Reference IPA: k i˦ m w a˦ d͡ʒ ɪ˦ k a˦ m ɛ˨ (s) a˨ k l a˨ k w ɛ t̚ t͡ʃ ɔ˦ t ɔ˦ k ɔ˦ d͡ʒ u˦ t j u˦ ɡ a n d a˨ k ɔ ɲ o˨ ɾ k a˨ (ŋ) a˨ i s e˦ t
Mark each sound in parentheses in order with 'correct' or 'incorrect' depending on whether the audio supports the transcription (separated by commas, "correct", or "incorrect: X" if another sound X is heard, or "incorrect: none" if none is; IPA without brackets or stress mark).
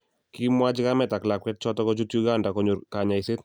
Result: incorrect: t, incorrect: ɲ